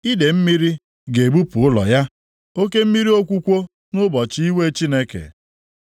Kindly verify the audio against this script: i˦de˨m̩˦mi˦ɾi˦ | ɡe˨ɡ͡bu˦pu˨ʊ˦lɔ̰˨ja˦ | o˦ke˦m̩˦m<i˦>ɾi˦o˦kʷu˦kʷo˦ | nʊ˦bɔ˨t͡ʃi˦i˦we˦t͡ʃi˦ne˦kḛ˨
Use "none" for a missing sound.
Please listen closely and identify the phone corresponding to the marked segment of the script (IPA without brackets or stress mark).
i˦